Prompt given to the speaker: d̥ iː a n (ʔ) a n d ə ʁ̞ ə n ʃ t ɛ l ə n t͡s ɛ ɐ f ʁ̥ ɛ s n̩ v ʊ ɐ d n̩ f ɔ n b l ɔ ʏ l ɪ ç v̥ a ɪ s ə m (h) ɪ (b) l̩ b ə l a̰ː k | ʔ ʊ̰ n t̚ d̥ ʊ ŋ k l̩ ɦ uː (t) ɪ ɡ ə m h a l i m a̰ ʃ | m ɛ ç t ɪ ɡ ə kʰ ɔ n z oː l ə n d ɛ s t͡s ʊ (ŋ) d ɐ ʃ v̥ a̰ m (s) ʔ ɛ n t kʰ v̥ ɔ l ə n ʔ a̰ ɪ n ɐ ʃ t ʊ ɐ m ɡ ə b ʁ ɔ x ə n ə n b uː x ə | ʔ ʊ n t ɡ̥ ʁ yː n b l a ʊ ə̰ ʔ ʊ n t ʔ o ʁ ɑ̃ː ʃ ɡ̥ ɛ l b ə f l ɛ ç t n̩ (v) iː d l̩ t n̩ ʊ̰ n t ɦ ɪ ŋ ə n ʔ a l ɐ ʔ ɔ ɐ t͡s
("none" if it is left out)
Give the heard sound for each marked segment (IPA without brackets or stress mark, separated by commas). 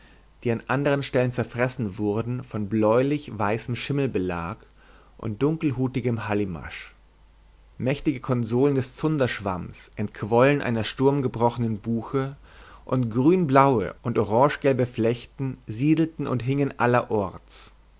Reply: ʔ, ʃ, m, t, n, s, z